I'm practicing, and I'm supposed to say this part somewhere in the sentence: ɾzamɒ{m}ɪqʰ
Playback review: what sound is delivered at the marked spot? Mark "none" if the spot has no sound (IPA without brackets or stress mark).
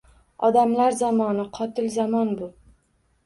n